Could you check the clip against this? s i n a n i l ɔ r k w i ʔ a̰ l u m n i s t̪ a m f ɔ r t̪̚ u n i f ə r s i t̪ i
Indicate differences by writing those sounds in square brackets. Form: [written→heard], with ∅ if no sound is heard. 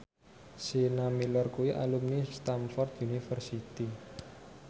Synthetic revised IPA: s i n a [n→m] i l ɔ r k [w→u] i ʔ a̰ l u m n i s t̪ a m f ɔ r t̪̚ u n i f ə r s i t̪ i